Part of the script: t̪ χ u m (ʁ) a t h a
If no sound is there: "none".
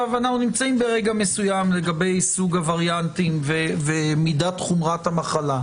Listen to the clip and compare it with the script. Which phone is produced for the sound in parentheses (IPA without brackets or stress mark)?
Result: ʁ